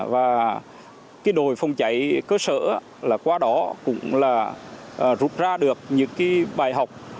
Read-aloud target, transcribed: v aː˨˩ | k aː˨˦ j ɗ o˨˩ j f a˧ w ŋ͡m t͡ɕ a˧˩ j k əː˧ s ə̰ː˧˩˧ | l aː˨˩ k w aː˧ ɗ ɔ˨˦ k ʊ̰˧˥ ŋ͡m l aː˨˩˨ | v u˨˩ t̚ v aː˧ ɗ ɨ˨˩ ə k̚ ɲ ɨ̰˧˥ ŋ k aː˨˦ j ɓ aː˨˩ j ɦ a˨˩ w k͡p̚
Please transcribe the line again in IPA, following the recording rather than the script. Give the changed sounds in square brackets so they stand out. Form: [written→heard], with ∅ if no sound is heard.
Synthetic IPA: v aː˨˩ | k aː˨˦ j ɗ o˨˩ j f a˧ w ŋ͡m t͡ɕ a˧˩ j k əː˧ s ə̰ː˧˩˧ | l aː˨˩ k w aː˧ ɗ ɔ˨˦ k ʊ̰˧˥ ŋ͡m l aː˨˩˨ | [v→z] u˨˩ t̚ [v→z] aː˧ ɗ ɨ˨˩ ə k̚ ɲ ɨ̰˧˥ ŋ k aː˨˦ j ɓ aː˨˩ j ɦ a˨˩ w k͡p̚

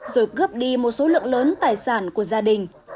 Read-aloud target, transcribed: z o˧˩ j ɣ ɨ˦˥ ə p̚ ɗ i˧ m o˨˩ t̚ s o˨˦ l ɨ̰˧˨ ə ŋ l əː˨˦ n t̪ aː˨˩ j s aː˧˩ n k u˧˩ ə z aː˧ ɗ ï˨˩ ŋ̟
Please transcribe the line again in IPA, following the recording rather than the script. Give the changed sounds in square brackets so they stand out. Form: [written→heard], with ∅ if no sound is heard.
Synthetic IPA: z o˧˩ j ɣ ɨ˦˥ ə p̚ ɗ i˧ m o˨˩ t̚ s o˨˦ l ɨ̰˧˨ ə ŋ l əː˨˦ n t̪ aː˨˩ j s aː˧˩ n k u˧˩ ə z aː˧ ɗ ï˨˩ ŋ̟

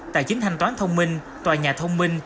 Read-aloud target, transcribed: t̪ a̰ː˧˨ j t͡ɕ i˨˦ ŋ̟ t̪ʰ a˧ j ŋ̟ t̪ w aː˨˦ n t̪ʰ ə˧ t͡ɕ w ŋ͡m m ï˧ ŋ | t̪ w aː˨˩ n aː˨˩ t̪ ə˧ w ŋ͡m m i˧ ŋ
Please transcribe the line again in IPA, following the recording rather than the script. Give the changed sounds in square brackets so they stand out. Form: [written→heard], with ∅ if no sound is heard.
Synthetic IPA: t̪ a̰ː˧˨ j t͡ɕ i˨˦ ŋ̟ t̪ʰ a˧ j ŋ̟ t̪ w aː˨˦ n t̪ʰ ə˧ [t͡ɕ→∅] w ŋ͡m m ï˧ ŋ | t̪ w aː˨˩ [n→ɲ] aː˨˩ [t̪→t̪ʰ] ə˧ w ŋ͡m m i˧ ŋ

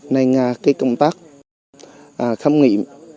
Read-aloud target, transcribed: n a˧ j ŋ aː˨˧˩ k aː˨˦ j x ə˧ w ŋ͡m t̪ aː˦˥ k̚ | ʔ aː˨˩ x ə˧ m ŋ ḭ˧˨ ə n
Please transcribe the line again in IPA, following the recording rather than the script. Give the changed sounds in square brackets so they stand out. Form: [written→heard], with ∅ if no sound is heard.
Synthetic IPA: n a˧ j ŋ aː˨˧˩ k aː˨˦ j [x→k] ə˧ w ŋ͡m t̪ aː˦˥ k̚ | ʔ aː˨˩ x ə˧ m ŋ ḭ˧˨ ə [n→m]

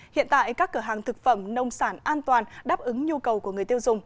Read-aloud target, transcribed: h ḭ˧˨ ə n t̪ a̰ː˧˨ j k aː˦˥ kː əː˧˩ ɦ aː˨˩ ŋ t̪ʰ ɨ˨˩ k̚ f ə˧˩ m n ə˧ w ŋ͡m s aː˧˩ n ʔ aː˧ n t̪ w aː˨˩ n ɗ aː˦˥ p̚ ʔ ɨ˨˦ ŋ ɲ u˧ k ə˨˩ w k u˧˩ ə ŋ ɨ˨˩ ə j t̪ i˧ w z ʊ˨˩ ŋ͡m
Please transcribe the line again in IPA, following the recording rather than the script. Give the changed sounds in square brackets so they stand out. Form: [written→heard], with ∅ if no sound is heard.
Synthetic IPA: h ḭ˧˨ ə n t̪ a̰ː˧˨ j k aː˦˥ kː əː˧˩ ɦ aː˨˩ ŋ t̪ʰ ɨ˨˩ k̚ f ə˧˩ m n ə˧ w ŋ͡m s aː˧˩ n ʔ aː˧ n t̪ w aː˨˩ n ɗ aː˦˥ p̚ ʔ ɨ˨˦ ŋ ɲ u˧ k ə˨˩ w k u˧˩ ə ŋ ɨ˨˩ ə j t̪ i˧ w z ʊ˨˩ ŋ͡m

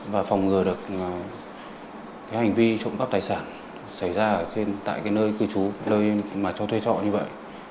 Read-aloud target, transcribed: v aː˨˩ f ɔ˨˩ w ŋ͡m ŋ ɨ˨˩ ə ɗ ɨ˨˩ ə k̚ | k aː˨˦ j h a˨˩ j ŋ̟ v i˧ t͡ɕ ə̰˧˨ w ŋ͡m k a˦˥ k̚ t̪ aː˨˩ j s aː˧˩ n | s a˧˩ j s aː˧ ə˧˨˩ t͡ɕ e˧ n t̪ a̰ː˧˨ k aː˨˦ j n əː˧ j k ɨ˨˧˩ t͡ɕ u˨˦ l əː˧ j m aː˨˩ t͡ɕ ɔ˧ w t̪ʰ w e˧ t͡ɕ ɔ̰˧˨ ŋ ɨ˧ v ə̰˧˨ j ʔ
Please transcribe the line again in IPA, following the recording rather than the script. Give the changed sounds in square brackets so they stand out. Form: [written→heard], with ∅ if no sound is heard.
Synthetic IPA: v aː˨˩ f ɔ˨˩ w ŋ͡m ŋ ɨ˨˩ ə ɗ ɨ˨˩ ə k̚ | k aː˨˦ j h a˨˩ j ŋ̟ v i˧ t͡ɕ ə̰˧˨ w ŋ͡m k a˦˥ [k̚→p̚] t̪ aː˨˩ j s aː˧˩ n | s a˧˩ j [s→z] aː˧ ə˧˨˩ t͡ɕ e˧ n t̪ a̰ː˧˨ k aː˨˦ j n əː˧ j k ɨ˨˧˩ t͡ɕ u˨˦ l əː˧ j m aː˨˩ t͡ɕ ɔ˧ w t̪ʰ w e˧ t͡ɕ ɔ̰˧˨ [ŋ→ɲ] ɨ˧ v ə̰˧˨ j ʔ

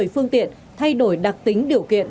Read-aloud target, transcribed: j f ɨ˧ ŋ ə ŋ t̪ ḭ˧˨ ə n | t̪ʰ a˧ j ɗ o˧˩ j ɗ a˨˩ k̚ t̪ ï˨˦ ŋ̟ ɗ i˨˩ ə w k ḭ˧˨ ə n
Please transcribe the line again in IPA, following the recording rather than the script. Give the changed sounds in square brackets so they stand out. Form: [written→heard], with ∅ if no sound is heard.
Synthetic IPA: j f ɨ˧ [ŋ→∅] ə ŋ t̪ ḭ˧˨ ə n | t̪ʰ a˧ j ɗ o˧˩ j ɗ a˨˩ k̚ t̪ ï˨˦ ŋ̟ ɗ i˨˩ ə w k ḭ˧˨ ə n

